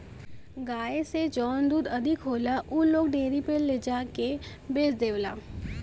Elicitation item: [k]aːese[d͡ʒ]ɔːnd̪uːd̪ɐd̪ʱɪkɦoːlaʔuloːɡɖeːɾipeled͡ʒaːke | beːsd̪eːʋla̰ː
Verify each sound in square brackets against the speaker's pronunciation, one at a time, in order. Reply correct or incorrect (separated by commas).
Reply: incorrect, correct